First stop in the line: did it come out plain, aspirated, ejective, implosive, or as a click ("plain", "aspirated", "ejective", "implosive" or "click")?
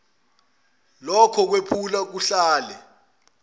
aspirated